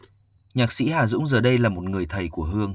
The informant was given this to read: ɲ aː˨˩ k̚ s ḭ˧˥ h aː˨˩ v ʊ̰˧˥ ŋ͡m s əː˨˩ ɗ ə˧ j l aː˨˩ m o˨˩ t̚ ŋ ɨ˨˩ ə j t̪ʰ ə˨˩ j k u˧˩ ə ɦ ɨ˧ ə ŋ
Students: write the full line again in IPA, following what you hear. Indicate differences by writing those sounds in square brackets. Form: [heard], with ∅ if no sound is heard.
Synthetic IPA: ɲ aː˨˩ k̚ s ḭ˧˥ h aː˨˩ [z] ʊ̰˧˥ ŋ͡m [z] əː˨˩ ɗ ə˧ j l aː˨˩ m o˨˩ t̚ ŋ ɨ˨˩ ə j t̪ʰ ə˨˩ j k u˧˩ ə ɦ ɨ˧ ə ŋ